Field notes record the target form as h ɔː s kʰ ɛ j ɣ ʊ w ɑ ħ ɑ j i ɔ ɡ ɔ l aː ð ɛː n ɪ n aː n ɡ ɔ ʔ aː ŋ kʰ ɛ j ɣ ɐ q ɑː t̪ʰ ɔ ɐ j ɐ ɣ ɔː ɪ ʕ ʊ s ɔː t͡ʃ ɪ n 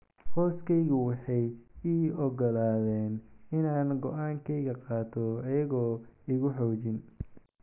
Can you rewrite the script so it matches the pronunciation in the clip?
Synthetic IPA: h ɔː s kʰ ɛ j ɣ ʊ w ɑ ħ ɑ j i ɔ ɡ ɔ l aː ð ɛː n ɪ n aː n ɡ ɔ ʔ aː ŋ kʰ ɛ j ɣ ɐ q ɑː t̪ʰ ɔ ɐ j ɐ ɣ ɔː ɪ ɣ ʊ ħ ɔː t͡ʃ ɪ n